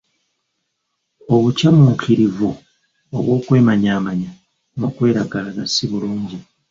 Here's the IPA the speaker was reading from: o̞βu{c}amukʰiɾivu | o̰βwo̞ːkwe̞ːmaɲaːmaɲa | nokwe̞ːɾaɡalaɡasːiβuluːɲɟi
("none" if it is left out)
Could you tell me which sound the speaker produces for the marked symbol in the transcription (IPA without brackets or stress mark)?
c